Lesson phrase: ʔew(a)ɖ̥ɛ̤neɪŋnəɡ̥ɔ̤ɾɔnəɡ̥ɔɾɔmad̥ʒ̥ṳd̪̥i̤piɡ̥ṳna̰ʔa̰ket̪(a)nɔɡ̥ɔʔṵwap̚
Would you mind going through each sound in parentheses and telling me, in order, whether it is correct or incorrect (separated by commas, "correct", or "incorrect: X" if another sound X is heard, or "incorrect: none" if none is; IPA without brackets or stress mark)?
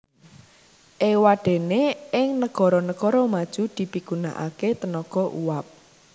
correct, incorrect: ə